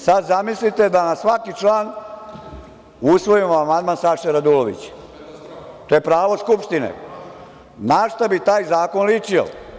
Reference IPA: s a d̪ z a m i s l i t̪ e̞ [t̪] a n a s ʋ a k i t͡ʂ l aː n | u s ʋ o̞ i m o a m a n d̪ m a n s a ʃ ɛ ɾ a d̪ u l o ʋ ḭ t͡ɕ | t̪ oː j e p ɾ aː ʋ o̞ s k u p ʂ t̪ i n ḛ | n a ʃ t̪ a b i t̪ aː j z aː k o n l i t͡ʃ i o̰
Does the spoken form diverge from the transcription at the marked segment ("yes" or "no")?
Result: yes